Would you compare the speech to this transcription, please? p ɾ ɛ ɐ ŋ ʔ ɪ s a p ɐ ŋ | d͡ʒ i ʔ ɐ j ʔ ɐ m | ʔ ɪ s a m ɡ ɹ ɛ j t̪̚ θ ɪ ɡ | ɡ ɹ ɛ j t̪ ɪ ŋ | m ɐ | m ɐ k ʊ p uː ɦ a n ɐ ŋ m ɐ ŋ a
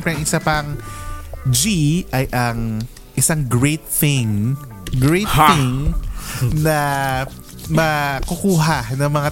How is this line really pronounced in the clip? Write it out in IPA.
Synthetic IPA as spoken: p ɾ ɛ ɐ ŋ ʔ ɪ s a p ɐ ŋ | d͡ʒ i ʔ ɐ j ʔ ɐ ŋ | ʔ ɪ s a ŋ ɡ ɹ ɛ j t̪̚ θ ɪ ŋ | ɡ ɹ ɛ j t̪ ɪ ŋ | n ɐ | m ɐ k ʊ k uː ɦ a n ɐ ŋ m ɐ ŋ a